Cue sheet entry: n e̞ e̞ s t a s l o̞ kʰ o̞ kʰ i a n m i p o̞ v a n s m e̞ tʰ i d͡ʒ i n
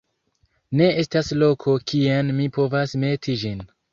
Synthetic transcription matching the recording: n e̞ e̞ s t a s l o̞ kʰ o̞ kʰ i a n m i p o̞ v a s m e̞ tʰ i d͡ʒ i n